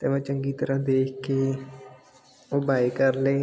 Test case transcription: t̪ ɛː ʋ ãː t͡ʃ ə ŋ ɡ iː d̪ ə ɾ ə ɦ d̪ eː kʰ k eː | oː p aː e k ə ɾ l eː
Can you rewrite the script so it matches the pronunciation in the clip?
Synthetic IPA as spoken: t̪ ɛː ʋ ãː t͡ʃ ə ŋ ɡ iː t̪ ə ɾ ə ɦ d̪ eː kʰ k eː | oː b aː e k ə ɾ l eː